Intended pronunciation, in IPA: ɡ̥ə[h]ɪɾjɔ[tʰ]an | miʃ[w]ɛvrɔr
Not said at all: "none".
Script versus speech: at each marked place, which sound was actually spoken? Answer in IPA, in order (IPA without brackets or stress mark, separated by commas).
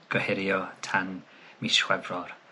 h, tʰ, w